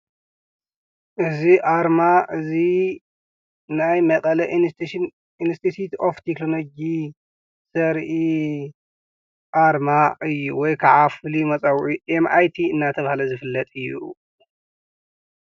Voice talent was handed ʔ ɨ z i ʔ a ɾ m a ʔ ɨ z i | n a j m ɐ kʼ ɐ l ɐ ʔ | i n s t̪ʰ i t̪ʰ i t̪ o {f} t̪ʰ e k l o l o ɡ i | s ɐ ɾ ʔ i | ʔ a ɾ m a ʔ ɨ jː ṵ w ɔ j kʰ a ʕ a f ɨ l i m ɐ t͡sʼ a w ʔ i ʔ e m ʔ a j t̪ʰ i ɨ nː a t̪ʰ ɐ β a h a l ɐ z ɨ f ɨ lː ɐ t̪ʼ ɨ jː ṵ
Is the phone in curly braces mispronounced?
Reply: no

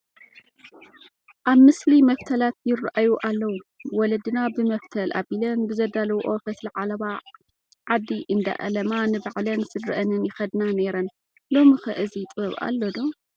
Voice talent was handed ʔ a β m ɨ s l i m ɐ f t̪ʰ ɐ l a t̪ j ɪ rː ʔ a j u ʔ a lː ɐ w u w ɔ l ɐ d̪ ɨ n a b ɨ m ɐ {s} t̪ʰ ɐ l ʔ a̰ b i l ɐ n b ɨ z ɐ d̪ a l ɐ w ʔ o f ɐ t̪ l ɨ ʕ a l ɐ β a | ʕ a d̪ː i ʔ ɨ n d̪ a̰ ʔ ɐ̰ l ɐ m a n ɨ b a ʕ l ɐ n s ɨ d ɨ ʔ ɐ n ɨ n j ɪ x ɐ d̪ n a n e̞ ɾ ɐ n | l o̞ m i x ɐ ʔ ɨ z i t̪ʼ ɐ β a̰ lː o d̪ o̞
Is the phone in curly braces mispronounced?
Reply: yes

